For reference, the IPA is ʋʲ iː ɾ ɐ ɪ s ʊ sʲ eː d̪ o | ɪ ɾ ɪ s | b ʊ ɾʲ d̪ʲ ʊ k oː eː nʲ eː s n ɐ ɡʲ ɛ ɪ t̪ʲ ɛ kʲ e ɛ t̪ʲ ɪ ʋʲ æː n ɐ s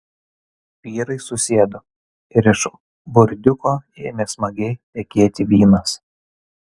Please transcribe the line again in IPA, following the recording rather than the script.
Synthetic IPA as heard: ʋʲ iː ɾ ɐ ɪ s ʊ sʲ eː d̪ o | ɪ ɾ ɪ ʃ | b ʊ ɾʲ d̪ʲ ʊ k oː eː mʲ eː s m ɐ ɡʲ ɛ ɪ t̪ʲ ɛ kʲ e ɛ t̪ʲ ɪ ʋʲ iː n ɐ s

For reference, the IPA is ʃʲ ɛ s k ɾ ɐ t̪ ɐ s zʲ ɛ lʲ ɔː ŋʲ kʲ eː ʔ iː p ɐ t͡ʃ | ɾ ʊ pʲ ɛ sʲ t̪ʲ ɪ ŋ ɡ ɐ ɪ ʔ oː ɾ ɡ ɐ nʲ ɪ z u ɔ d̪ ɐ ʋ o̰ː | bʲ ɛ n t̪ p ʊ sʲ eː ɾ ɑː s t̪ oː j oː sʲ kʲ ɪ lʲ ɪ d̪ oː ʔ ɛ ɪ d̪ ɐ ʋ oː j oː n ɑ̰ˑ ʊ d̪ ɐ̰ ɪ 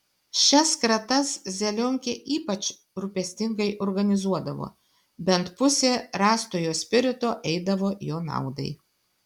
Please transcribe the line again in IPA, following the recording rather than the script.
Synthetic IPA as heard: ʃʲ ɛ s k ɾ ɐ t̪ ɐ s zʲ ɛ lʲ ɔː ŋʲ kʲ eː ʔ iː p ɐ t͡ʃ | ɾ ʊ pʲ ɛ sʲ t̪ʲ ɪ ŋ ɡ ɐ ɪ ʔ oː ɾ ɡ ɐ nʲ ɪ z u ɔ d̪ ɐ ʋ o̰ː | bʲ ɛ n t̪ p ʊ sʲ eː ɾ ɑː s t̪ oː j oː sʲ pʲ ɪ ɾʲ ɪ t̪ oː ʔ ɛ ɪ d̪ ɐ ʋ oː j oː n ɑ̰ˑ ʊ d̪ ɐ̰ ɪ

